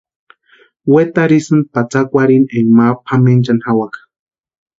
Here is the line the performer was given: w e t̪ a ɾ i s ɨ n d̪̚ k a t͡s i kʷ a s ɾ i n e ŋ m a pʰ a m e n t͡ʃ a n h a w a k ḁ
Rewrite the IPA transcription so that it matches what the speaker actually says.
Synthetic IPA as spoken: w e t̪ a ɾ i s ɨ n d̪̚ p a t͡s a kʷ a ɾ i n e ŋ m a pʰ a m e n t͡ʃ a n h a w a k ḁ